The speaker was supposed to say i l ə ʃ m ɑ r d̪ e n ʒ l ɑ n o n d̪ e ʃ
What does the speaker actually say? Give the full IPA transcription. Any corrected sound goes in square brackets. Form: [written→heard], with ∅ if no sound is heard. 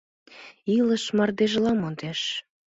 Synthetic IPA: i l ə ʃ m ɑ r d̪ e [n→∅] ʒ l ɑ [n→m] o n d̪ e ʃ